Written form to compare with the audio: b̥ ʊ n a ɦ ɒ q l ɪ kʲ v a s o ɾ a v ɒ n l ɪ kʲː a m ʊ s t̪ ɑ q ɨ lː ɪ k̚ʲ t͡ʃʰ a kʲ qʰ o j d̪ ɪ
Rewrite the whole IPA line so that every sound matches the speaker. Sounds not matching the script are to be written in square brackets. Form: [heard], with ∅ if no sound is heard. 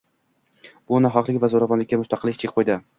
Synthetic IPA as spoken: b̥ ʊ n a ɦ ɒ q l ɪ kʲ v a [z] o ɾ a v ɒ n l ɪ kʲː a m ʊ s t̪ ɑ q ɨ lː ɪ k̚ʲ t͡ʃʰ [e] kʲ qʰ o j d̪ ɪ